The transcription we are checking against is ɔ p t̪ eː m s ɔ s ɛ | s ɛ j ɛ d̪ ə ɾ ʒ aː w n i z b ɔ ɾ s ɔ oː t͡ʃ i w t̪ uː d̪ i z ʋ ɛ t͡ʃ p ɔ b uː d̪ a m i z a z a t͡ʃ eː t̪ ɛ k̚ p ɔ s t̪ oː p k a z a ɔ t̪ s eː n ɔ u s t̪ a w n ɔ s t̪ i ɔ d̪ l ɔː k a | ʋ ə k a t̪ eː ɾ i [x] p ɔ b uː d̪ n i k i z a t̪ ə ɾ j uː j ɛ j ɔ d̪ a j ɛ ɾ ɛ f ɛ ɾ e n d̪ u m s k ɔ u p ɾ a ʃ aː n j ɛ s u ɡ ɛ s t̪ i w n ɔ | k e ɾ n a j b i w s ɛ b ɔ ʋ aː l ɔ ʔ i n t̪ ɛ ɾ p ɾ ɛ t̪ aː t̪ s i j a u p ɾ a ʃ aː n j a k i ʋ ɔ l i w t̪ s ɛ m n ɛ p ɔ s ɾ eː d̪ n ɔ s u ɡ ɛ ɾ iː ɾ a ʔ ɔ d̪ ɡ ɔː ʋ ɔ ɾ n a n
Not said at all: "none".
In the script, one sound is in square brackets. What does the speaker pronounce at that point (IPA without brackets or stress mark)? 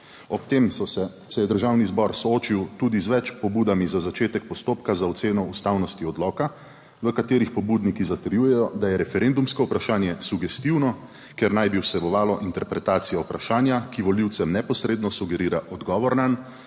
x